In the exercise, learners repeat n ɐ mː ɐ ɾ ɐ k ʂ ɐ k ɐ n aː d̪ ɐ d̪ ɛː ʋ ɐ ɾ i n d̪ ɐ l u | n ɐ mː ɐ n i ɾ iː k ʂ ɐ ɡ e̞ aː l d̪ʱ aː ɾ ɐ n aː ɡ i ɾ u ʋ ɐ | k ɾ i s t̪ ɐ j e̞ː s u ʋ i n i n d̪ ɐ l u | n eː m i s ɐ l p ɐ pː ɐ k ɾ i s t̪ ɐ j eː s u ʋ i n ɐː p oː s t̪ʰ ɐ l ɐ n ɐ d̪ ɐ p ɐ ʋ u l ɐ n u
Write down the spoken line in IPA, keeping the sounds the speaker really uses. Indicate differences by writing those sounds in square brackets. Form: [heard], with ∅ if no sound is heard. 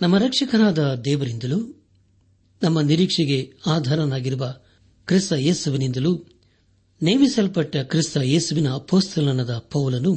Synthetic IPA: n ɐ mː ɐ ɾ ɐ k ʂ ɐ k ɐ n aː d̪ ɐ d̪ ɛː ʋ ɐ ɾ i n d̪ ɐ l u | n ɐ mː ɐ n i ɾ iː k ʂ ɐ ɡ e̞ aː [∅] d̪ʱ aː ɾ ɐ n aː ɡ i ɾ u ʋ ɐ | k ɾ i s t̪ ɐ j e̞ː s u ʋ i n i n d̪ ɐ l u | n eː m i s ɐ l p ɐ [ʈː] ɐ k ɾ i s t̪ ɐ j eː s u ʋ i n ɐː p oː s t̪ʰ ɐ l ɐ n ɐ d̪ ɐ p ɐ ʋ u l ɐ n u